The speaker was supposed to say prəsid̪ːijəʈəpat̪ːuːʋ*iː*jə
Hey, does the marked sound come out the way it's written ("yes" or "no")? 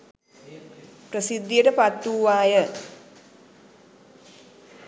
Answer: no